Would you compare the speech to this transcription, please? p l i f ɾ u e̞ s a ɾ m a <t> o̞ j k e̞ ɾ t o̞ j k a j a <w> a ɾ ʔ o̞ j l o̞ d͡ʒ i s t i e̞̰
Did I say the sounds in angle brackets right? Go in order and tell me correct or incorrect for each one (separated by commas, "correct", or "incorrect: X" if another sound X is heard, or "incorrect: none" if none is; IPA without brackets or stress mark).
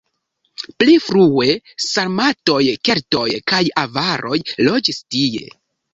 correct, incorrect: v